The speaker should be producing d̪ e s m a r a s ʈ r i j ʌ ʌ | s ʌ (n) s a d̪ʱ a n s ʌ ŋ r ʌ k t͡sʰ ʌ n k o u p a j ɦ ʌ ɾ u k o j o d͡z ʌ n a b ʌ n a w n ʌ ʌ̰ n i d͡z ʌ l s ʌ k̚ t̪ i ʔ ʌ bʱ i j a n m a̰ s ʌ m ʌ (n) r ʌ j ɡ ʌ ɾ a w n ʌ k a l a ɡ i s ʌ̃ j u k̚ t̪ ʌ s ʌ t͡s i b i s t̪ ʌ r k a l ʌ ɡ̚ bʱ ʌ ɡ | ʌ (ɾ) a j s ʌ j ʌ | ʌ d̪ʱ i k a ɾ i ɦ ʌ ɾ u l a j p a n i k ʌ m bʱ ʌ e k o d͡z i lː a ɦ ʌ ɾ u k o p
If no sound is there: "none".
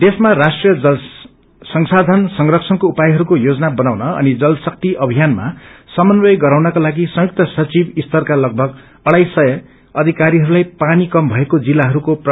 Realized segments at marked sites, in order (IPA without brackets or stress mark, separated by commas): ŋ, n, ɽ